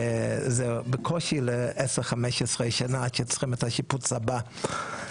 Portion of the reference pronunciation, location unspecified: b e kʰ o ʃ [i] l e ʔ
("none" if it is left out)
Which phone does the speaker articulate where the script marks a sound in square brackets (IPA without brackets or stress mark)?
i